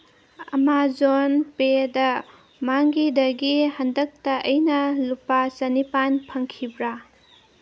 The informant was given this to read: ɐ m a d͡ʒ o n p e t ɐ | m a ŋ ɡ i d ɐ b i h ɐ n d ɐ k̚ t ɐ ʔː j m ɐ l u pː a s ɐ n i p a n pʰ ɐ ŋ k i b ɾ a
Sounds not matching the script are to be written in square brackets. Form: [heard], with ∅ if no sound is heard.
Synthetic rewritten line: ɐ m a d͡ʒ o n p e [d] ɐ | m a ŋ ɡ i d ɐ [ɡ] i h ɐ n d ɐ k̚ t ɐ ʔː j [n] ɐ l u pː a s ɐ n i p a n pʰ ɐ ŋ [kʰ] i b ɾ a